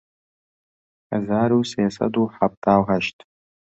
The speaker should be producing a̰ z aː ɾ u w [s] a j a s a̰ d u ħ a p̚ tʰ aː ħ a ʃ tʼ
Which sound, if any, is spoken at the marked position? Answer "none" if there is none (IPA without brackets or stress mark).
s